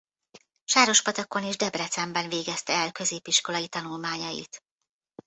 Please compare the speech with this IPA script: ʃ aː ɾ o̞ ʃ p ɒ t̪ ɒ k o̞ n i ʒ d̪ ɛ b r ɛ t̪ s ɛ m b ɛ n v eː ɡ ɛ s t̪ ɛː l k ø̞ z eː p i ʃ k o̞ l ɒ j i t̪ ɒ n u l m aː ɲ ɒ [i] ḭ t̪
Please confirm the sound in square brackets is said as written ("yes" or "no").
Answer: no